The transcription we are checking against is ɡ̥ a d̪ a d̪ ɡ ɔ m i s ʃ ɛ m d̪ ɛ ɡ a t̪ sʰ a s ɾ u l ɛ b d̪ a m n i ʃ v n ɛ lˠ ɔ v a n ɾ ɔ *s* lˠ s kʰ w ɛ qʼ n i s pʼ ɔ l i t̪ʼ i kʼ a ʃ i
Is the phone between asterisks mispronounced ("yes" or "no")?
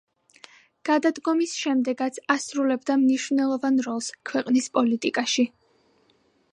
yes